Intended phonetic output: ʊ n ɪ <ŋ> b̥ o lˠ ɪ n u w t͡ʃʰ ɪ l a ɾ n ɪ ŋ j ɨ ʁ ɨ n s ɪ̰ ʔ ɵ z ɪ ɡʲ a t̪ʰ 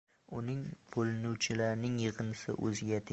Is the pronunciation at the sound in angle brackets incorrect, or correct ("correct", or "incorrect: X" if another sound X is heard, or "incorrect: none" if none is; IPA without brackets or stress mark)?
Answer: correct